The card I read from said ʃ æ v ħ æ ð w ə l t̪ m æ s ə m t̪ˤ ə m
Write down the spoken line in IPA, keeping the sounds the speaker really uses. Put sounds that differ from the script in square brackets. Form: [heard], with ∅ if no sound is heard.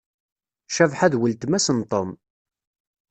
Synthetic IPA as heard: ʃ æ v ħ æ ð w ə l t̪ m æ s ə [n] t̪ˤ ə m